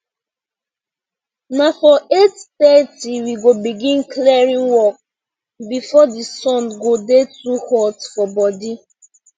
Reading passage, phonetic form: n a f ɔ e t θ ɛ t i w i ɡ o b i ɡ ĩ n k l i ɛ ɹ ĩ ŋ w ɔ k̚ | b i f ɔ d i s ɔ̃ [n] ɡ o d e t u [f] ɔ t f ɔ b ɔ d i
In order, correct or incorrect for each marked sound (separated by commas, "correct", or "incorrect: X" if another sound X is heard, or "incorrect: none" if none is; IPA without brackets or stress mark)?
correct, incorrect: h